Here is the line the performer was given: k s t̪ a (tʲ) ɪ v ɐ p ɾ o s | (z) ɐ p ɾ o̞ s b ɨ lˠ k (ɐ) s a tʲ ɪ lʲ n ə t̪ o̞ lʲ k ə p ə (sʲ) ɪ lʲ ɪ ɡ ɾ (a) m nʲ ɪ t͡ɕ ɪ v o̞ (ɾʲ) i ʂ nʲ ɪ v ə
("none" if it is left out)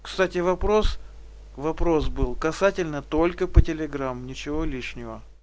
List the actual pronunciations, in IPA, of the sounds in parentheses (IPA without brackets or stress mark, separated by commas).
tʲ, v, ɐ, tʲ, a, lʲ